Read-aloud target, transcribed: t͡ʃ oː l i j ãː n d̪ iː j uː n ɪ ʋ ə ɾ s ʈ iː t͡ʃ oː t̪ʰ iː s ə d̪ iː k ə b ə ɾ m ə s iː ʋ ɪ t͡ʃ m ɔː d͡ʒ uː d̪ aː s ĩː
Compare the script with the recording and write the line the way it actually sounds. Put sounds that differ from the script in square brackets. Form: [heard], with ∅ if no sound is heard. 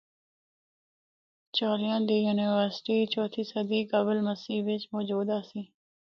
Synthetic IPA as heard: t͡ʃ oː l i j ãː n d̪ iː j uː n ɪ ʋ ə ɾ s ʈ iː t͡ʃ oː t̪ʰ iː s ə d̪ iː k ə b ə [l] m ə s iː ʋ ɪ t͡ʃ m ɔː d͡ʒ uː d̪ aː s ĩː

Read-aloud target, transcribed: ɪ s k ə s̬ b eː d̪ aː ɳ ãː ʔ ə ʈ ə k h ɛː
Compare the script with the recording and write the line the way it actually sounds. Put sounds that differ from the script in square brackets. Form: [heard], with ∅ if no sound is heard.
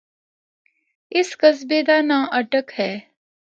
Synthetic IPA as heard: ɪ s k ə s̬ b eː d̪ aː [n] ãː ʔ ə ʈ ə k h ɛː

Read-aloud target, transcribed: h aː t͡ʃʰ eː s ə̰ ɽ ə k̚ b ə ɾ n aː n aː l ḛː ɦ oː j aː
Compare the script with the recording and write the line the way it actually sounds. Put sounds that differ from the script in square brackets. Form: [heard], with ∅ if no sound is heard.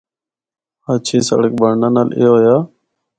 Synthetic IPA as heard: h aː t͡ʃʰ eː s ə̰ ɽ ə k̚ b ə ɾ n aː n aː l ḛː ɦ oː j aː

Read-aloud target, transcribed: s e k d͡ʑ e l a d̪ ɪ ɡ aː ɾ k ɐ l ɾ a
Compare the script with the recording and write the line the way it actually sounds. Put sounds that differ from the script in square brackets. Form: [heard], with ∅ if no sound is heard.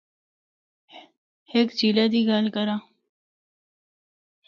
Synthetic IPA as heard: [h] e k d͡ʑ [i] l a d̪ [i] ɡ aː [l] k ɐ [∅] ɾ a

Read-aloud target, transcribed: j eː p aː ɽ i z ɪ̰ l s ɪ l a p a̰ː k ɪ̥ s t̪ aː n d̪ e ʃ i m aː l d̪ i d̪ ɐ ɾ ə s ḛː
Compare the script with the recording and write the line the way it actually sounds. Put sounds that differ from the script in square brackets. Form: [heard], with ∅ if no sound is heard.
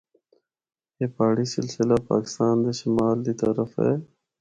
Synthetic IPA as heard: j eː p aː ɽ i [s] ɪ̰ l s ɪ l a p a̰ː k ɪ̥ s t̪ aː n d̪ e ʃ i m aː l d̪ i [t̪] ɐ ɾ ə [f] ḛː

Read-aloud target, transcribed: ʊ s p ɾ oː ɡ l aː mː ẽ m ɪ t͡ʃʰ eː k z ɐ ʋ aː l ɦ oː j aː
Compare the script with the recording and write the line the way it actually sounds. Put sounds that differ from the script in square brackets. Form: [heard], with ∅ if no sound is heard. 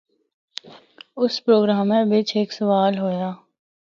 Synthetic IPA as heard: ʊ s p ɾ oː ɡ [ɾ] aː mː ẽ [b] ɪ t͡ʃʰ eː k [s] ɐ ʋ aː l ɦ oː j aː

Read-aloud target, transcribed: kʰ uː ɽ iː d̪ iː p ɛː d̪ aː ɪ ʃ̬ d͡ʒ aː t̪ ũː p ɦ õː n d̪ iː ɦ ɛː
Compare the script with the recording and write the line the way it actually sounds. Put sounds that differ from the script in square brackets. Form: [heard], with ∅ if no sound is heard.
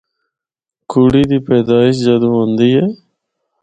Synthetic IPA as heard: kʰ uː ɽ iː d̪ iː p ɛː d̪ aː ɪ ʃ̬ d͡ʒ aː [d̪] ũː [∅] ɦ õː n d̪ iː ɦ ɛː

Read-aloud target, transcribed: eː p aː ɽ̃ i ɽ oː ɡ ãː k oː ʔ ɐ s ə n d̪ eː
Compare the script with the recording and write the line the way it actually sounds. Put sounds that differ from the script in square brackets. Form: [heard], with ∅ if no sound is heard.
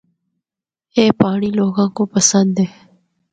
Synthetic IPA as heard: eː p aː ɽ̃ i [l] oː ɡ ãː k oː [p] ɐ s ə n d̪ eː

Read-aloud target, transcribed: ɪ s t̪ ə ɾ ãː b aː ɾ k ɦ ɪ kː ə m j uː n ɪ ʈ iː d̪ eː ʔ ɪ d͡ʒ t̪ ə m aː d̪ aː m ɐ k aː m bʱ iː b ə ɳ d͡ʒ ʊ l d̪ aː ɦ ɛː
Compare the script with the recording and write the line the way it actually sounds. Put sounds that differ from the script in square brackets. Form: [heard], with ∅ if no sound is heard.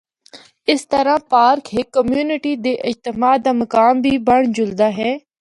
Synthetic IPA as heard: ɪ s t̪ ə ɾ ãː [p] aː ɾ k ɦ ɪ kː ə m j uː n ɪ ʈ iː d̪ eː ʔ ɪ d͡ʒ t̪ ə m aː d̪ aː m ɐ k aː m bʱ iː b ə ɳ d͡ʒ ʊ l d̪ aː ɦ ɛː

